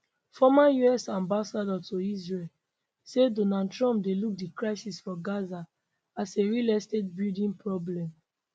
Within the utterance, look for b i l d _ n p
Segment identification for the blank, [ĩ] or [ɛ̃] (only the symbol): ĩ